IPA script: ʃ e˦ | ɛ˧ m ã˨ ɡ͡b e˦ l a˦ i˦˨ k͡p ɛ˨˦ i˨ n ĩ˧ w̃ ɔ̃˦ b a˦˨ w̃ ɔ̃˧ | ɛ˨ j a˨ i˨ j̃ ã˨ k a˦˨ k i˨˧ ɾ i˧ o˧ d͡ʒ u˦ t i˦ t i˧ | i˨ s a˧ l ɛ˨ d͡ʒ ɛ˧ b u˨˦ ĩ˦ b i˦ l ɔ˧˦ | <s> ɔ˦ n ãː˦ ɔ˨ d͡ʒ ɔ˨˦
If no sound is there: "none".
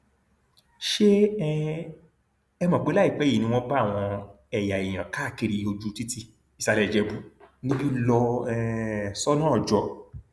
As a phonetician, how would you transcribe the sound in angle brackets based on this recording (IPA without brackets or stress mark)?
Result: s